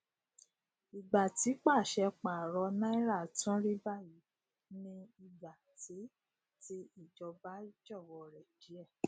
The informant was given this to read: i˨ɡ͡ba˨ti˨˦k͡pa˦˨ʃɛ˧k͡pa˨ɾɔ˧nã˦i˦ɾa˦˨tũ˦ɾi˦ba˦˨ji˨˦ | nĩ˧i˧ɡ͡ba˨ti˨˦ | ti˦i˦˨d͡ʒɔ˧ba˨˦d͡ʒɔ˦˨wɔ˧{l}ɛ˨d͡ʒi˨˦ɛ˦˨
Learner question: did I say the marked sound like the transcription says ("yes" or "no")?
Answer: no